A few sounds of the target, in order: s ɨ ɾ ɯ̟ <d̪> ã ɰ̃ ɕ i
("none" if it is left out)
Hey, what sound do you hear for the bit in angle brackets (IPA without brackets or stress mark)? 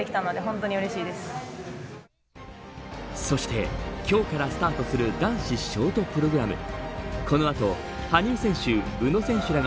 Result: d̪